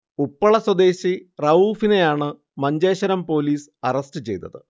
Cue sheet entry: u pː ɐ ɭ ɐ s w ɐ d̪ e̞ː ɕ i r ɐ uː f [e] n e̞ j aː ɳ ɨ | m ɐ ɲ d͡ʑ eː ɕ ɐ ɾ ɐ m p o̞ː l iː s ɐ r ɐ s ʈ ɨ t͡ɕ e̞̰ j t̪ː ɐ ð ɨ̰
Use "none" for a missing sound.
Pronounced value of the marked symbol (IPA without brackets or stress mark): i